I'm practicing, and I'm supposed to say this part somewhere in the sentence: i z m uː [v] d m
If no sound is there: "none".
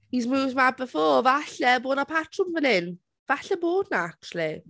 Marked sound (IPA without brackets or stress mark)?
v